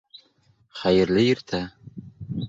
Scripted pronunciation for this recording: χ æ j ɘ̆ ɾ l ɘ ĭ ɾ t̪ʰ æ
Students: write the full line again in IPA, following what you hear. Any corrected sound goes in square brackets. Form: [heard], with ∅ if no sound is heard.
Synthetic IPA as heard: χ æ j ɘ̆ ɾ l ɘ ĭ ɾ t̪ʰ æ